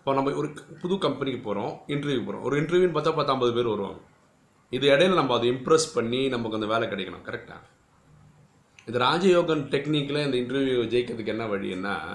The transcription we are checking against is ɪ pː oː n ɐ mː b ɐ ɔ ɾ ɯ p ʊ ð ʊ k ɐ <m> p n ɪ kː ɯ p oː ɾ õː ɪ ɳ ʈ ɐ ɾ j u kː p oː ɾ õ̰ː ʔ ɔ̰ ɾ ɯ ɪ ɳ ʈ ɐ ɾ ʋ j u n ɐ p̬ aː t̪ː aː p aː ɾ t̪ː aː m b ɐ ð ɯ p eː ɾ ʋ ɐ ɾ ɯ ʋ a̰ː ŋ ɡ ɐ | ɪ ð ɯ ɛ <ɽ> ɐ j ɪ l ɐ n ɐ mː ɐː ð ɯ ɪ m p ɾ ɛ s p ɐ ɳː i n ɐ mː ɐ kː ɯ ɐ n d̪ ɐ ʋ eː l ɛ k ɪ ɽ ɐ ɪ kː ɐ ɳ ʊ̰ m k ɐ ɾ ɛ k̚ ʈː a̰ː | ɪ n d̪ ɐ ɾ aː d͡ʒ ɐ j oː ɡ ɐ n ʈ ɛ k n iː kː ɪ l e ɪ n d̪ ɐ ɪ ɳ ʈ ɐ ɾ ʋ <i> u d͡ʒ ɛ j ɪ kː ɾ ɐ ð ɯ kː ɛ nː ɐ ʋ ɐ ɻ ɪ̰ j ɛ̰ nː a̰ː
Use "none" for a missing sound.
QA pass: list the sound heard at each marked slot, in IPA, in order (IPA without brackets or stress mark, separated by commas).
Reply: m, ɽ, j